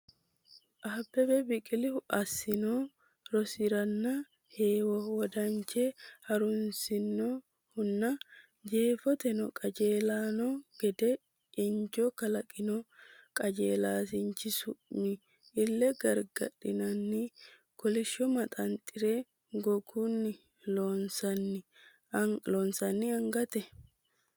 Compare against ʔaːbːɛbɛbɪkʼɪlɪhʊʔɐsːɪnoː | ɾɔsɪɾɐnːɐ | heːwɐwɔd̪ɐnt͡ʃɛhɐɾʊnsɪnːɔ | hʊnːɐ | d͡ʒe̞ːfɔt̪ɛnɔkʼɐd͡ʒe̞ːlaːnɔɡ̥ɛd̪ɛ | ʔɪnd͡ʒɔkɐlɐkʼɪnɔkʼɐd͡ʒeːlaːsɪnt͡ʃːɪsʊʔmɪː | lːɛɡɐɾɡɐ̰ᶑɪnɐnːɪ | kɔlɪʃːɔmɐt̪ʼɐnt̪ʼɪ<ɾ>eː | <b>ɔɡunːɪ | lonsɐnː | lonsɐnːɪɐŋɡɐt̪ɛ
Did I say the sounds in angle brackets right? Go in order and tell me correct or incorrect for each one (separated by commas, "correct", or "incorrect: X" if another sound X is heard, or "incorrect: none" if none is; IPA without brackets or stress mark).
correct, incorrect: ɡ